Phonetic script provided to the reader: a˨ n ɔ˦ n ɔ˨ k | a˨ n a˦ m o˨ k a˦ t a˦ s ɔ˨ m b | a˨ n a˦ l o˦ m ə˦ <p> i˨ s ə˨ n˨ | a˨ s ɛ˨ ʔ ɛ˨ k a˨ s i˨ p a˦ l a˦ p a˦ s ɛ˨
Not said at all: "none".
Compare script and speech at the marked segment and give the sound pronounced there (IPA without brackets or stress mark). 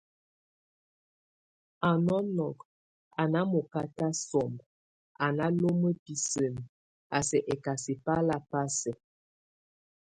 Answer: p